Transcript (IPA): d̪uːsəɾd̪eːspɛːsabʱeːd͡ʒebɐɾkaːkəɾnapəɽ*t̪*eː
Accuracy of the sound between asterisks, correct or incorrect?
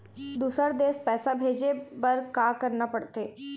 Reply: correct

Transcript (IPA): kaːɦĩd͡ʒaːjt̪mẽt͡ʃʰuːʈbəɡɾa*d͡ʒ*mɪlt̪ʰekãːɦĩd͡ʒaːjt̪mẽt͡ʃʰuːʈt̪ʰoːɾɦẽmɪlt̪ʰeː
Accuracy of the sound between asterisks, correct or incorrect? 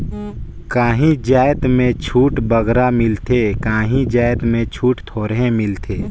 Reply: incorrect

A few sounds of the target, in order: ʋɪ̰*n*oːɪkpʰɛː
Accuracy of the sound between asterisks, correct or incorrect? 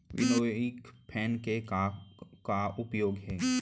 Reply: correct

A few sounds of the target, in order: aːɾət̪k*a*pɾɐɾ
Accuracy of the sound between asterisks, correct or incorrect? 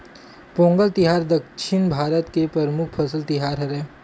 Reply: incorrect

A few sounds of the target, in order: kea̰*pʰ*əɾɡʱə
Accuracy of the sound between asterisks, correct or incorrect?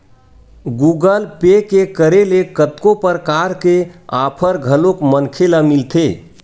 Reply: correct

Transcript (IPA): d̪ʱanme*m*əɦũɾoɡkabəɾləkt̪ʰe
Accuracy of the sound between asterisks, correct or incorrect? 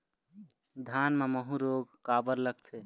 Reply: correct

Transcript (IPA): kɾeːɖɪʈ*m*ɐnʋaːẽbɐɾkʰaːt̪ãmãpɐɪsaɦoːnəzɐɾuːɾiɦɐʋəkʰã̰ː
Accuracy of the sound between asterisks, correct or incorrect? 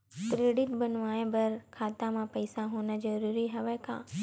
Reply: incorrect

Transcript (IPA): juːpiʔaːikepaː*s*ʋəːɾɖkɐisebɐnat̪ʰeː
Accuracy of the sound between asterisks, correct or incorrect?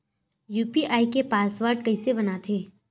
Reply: correct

